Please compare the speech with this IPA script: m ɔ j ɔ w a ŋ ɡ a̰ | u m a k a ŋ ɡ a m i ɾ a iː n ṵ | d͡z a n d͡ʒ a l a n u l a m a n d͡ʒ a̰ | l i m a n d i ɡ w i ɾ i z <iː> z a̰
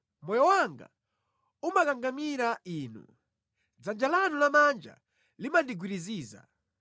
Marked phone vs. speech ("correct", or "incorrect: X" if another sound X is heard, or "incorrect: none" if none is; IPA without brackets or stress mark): correct